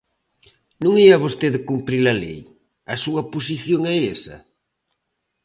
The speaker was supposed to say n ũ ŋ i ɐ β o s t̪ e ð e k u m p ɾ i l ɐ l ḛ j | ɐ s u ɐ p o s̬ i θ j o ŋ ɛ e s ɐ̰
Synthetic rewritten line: n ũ ŋ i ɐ β o s t̪ e ð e k u m p ɾ i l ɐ l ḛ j | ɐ s u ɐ p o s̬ i θ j o ŋ ɛ e s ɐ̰